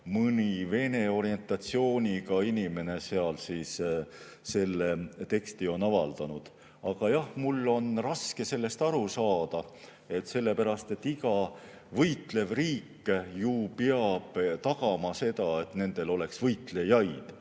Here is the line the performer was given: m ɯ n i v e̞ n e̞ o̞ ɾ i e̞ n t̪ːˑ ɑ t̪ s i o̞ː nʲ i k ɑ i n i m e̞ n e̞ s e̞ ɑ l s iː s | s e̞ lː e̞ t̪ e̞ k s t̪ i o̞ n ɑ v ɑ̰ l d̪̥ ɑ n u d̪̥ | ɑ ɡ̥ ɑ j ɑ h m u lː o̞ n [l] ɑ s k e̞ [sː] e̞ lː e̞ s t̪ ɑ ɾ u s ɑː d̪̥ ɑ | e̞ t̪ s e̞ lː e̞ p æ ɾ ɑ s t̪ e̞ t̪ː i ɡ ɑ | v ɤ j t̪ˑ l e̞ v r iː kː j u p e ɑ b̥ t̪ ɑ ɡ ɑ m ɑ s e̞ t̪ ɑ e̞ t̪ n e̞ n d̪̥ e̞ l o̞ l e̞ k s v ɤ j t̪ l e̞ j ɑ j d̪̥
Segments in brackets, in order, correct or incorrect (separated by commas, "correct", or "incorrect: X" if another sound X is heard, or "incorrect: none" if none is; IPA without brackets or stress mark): incorrect: r, incorrect: s